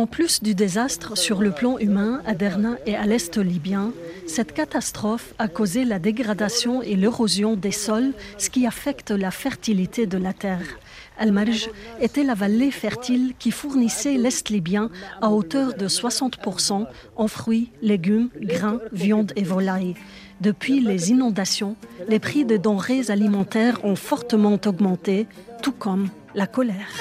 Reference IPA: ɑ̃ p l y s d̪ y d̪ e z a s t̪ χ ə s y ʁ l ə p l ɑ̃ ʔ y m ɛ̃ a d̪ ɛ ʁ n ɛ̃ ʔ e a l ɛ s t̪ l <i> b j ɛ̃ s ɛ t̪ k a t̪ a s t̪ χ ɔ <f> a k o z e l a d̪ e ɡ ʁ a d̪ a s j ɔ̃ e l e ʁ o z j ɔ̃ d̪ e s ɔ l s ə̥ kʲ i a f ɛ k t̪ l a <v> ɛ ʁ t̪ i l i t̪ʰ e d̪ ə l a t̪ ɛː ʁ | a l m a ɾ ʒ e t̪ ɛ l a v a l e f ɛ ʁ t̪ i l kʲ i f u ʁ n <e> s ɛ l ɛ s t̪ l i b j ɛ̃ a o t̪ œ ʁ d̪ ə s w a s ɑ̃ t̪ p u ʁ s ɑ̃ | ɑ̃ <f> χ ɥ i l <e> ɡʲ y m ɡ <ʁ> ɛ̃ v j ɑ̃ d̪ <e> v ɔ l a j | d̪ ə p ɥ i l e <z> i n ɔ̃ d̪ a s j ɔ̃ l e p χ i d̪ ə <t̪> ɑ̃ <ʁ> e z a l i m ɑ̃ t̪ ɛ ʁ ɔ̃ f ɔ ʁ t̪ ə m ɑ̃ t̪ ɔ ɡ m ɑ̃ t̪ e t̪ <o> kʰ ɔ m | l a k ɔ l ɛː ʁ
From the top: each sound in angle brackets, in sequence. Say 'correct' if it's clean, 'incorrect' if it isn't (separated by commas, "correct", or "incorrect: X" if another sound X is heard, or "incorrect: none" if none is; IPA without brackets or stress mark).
correct, correct, incorrect: f, incorrect: i, correct, correct, correct, correct, correct, incorrect: d̪, correct, incorrect: u